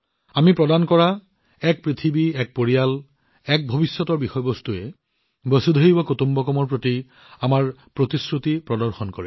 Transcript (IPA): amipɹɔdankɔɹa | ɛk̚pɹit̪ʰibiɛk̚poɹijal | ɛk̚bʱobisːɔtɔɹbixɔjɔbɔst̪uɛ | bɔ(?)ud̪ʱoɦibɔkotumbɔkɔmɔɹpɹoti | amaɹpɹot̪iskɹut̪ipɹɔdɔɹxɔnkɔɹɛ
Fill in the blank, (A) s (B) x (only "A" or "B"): A